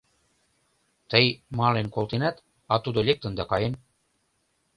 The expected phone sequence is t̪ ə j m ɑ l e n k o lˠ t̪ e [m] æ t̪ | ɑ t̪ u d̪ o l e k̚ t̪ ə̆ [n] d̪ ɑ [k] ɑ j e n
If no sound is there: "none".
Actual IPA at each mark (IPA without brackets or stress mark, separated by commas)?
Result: n, n, k